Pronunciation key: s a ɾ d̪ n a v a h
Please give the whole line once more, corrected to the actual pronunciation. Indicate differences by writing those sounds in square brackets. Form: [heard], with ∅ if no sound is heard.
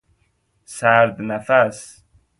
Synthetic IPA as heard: s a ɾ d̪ n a [f] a [s]